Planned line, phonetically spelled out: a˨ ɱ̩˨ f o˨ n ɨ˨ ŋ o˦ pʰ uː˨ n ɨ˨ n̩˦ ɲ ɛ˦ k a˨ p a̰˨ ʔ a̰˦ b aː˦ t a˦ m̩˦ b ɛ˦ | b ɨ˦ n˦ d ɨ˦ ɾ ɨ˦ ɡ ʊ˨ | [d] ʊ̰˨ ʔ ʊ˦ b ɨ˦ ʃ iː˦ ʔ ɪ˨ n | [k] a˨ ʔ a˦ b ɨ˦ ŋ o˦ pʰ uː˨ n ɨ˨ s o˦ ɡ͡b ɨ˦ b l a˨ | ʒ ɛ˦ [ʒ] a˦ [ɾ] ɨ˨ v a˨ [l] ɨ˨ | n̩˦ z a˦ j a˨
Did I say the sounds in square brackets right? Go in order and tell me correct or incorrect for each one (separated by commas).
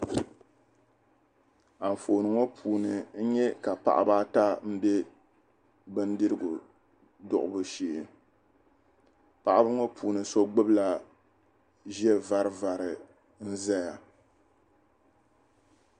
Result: correct, incorrect, incorrect, correct, incorrect